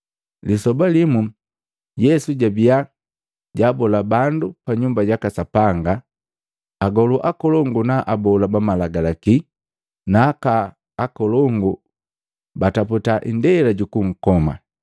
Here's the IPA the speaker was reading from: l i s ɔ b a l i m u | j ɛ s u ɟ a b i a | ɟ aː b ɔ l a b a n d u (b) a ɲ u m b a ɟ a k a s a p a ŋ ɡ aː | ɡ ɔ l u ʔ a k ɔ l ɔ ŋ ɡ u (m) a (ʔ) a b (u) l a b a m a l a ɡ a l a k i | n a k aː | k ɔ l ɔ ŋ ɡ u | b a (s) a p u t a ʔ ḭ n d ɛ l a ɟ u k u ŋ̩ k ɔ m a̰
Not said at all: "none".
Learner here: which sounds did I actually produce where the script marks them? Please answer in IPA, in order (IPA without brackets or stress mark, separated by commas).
p, n, ʔ, ɔ, t